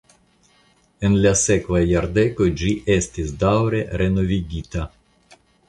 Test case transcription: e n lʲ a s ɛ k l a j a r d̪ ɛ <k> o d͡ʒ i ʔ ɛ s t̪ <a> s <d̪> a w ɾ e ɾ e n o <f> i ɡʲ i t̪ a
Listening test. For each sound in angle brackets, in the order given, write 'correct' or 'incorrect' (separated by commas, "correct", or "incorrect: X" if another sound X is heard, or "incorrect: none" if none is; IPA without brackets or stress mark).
correct, incorrect: i, correct, incorrect: v